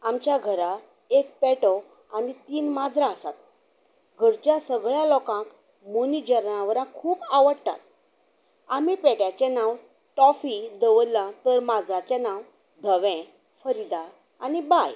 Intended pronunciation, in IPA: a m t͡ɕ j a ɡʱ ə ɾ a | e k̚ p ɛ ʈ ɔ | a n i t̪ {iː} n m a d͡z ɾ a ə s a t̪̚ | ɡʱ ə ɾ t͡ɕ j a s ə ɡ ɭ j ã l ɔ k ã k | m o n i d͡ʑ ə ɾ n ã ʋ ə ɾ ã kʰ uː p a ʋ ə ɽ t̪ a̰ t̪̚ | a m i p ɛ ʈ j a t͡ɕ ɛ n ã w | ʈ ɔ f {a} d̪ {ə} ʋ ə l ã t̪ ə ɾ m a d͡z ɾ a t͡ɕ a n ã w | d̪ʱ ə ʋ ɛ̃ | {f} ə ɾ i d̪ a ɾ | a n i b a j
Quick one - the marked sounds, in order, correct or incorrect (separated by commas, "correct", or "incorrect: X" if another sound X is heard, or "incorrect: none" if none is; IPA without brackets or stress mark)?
correct, incorrect: i, correct, correct